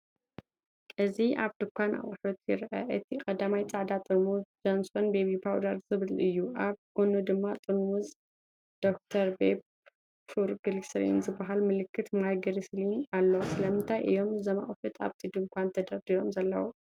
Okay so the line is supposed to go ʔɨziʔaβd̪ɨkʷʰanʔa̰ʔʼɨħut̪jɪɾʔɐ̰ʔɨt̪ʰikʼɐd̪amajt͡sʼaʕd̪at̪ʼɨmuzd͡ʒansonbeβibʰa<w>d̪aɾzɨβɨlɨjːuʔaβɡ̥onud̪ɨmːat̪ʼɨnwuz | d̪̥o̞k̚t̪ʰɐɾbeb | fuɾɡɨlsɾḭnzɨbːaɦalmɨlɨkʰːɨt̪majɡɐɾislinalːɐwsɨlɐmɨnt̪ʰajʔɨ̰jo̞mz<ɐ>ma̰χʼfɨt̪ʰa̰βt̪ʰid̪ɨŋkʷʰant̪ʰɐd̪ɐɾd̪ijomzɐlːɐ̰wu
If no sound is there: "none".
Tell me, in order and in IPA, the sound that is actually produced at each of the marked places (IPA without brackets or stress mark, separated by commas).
w, ɐ